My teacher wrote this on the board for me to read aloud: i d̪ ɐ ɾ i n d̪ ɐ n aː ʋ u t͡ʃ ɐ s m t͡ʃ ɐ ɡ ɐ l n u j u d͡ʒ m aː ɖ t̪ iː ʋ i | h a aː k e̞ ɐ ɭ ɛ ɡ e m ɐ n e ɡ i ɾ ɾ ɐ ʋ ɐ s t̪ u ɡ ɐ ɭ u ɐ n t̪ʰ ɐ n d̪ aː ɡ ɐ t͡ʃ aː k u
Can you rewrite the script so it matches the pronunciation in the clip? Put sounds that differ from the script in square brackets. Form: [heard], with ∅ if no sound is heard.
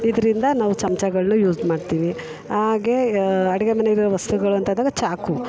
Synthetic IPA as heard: i d̪ ɐ ɾ i n d̪ ɐ n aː ʋ u t͡ʃ ɐ [∅] m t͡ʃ ɐ ɡ ɐ [ɭ] n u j [uː] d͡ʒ m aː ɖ t̪ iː ʋ i | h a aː [ɡ] e̞ ɐ [ɽ] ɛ ɡ e m ɐ n e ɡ i ɾ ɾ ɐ ʋ ɐ s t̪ u ɡ ɐ ɭ u ɐ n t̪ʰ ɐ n d̪ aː ɡ ɐ t͡ʃ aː k u